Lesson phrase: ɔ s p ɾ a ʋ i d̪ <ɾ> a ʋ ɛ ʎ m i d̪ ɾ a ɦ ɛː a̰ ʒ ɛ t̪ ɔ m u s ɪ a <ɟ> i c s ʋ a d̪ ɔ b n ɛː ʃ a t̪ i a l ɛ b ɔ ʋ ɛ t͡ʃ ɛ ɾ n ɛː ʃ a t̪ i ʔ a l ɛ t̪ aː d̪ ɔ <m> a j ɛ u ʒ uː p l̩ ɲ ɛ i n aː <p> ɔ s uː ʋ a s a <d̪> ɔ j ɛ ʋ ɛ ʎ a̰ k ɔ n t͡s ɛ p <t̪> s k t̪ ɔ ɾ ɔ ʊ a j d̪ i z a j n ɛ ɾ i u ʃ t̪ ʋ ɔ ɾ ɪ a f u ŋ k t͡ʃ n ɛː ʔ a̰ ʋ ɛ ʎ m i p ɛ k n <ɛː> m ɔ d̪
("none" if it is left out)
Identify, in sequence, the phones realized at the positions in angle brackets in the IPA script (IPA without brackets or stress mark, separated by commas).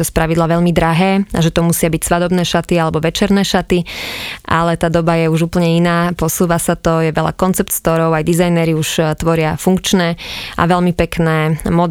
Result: l, b, b, p, t̪, t̪, ɛː